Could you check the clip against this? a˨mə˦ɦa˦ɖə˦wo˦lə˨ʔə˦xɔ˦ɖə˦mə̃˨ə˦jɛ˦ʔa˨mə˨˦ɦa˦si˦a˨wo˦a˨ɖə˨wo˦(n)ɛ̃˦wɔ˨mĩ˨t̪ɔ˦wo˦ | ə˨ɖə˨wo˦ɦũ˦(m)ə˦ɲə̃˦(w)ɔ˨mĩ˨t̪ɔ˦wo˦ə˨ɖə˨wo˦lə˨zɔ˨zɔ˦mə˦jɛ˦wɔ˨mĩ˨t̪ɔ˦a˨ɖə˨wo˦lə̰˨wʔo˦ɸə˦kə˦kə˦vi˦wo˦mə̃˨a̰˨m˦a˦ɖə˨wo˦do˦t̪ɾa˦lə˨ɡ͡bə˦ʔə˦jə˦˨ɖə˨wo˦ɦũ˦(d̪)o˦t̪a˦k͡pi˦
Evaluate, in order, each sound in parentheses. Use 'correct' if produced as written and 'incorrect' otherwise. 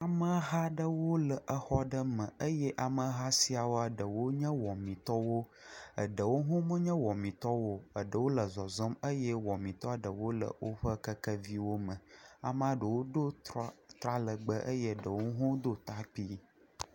incorrect, correct, correct, correct

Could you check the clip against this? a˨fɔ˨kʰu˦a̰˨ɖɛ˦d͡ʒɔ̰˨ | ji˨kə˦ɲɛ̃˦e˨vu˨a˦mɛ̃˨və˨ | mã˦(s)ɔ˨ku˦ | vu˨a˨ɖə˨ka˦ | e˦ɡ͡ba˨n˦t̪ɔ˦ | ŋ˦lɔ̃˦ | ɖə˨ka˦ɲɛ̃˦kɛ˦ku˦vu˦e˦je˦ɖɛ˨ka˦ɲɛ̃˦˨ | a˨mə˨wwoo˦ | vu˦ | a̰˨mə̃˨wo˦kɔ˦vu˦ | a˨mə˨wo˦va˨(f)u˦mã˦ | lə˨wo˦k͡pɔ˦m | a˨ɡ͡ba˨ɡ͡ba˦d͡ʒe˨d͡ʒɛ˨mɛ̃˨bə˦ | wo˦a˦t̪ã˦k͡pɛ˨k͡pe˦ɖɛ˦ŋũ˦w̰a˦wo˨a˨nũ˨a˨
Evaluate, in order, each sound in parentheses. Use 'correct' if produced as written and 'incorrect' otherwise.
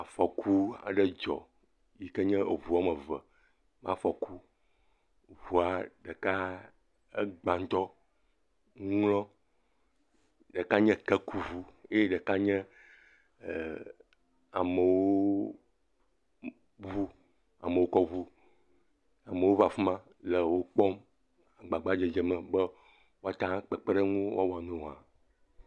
incorrect, correct

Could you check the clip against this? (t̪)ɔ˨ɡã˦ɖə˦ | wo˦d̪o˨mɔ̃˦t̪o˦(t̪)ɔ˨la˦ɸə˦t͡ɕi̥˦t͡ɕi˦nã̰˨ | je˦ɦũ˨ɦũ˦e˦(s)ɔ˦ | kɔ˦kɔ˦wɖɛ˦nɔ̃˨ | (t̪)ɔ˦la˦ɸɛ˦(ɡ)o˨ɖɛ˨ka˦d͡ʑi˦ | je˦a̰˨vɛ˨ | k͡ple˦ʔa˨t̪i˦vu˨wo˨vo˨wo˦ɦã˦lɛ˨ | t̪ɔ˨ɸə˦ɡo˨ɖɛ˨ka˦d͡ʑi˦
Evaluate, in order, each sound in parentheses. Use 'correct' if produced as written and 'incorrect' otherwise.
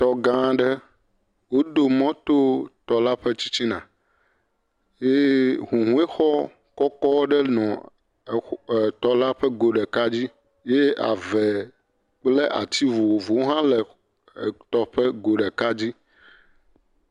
correct, correct, incorrect, correct, correct

